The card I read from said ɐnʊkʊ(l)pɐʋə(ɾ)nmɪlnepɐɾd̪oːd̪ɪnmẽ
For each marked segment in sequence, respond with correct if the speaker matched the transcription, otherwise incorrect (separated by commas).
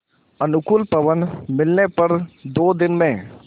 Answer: correct, incorrect